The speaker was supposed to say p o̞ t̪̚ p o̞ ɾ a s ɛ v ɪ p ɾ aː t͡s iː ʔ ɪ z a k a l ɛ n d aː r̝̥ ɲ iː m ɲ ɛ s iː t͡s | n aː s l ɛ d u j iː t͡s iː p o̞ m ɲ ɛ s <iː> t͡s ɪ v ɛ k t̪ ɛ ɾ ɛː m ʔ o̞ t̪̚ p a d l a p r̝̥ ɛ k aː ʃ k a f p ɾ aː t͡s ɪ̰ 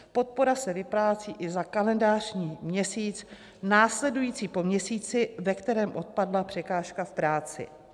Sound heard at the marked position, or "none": iː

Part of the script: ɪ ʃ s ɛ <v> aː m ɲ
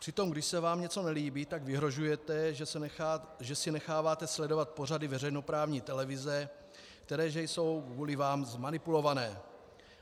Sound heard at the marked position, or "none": v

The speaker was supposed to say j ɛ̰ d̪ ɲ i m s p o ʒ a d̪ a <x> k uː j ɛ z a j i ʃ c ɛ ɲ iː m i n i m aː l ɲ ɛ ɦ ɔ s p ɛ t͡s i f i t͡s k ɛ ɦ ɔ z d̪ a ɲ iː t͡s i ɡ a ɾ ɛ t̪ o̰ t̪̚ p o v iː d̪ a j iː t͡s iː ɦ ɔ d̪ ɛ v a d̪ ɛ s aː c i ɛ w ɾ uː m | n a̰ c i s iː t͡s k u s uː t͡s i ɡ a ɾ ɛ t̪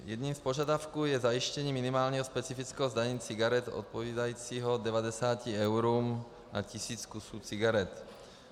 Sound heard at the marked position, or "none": f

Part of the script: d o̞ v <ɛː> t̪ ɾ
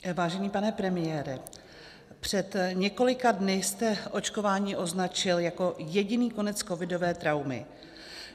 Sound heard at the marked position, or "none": ɛː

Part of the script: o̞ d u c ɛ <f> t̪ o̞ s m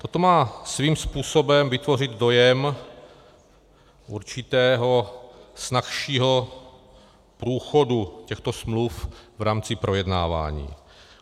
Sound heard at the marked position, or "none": x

